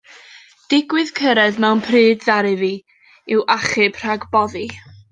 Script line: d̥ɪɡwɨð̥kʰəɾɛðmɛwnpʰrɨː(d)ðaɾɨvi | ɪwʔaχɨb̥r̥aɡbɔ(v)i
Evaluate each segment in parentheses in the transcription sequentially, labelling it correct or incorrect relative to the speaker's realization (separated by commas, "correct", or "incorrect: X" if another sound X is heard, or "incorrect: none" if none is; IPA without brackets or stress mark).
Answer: correct, incorrect: ð